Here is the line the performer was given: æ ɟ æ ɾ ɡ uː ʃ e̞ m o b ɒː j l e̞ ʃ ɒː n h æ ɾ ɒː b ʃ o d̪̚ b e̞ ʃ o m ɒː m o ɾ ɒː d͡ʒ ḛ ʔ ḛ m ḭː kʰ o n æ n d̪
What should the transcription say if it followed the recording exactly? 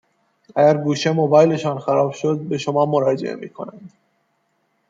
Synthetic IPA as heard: æ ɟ æ ɾ ɡ uː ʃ e̞ m o b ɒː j l e̞ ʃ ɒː n x æ ɾ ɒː b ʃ o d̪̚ b e̞ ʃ o m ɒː m o ɾ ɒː d͡ʒ ḛ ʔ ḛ m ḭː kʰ o n æ n d̪